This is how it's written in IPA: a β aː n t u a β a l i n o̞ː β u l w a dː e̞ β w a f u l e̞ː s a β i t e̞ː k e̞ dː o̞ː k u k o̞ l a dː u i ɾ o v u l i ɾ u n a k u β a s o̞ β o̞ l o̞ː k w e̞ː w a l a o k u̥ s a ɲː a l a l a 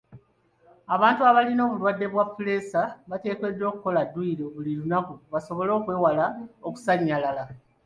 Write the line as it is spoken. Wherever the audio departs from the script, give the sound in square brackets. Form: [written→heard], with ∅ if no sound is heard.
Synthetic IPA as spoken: a β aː n t u a β a l i n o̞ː β u l w a dː e̞ β w a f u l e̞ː s a β [i→a] t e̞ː k e̞ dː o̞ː k u k o̞ l a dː u i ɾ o [v→β] u l i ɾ u n a k u β a s o̞ β o̞ l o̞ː k w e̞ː w a l a o k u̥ s a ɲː a l a l a